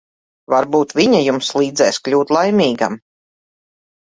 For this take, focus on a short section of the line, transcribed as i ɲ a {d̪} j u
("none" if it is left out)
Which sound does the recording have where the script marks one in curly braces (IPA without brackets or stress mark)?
none